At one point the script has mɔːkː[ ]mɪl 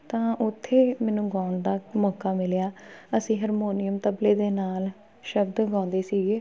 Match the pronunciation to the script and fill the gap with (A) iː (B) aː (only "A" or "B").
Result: B